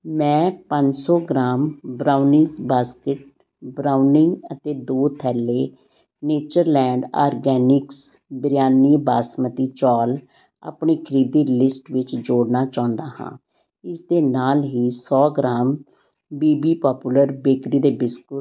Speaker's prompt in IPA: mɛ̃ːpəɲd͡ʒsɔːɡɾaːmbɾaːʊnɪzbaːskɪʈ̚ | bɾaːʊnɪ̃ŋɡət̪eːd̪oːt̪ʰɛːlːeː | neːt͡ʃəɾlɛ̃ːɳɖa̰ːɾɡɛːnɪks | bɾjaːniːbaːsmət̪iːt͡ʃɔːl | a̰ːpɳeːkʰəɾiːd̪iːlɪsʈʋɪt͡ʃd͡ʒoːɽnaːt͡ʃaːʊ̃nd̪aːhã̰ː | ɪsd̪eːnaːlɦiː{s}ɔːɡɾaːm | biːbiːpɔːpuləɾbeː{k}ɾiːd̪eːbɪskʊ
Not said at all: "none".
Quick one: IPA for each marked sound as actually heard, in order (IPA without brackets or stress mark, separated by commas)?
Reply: s, k